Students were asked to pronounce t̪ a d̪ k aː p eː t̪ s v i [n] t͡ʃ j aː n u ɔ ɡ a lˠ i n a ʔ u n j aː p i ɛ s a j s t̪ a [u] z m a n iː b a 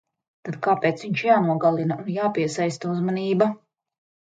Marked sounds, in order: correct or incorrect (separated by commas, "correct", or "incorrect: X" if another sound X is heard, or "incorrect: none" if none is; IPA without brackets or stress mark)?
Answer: incorrect: ɲ, correct